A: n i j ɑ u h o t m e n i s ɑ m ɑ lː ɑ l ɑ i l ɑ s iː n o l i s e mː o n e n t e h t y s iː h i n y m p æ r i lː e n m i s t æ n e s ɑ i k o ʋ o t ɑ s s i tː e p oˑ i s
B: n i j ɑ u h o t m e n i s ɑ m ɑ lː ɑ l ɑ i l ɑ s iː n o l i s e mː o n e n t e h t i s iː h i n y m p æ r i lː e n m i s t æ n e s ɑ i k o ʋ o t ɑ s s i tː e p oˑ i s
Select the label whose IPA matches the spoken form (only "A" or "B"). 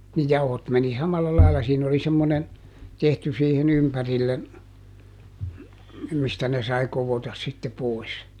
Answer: A